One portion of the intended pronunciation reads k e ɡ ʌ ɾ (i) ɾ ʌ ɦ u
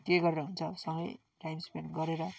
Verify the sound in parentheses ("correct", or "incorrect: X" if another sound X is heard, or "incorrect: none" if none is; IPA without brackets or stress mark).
incorrect: e